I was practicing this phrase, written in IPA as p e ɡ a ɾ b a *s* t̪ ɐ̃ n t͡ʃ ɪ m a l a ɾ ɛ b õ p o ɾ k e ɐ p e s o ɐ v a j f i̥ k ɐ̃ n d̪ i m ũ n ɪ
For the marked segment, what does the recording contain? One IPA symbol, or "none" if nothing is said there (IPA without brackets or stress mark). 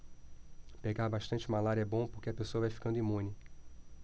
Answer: ʃ